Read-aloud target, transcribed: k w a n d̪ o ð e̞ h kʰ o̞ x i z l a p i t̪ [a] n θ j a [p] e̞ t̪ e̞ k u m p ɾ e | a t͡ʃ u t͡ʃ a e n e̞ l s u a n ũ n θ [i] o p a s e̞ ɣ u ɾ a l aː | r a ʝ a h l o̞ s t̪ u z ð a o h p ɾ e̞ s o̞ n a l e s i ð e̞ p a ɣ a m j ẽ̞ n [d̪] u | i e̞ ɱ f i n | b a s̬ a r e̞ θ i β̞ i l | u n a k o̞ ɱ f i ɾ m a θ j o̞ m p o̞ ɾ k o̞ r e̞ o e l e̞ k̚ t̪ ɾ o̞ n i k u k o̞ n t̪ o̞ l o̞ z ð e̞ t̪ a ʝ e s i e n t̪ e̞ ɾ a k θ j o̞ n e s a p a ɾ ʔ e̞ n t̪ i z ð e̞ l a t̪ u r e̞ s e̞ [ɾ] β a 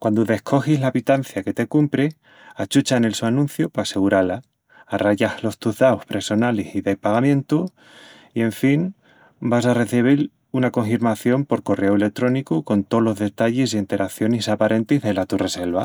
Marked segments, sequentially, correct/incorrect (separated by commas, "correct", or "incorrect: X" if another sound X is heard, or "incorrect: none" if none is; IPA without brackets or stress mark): correct, incorrect: k, incorrect: j, incorrect: t̪, incorrect: l